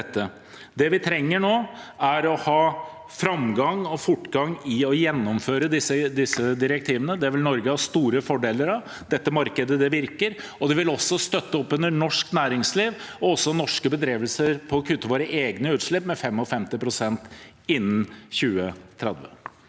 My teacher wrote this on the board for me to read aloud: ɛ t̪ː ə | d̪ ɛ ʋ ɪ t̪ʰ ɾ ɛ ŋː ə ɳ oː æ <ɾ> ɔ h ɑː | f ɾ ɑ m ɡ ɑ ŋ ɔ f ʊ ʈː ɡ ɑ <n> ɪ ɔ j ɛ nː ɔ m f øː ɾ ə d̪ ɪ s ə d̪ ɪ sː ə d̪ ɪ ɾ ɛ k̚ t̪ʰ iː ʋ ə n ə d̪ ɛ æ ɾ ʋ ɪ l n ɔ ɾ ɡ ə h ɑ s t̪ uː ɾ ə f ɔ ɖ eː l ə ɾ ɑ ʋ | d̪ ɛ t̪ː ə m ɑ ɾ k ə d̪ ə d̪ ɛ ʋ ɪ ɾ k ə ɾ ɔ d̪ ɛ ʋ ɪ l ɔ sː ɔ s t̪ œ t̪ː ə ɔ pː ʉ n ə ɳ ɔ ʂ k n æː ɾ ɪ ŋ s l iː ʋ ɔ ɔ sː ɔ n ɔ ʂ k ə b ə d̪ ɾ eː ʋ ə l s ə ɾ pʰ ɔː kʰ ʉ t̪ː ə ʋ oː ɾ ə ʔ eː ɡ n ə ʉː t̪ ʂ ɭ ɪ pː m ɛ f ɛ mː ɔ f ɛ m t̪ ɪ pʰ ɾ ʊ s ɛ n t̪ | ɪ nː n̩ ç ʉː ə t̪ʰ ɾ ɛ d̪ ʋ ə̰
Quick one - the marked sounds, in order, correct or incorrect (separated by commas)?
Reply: correct, incorrect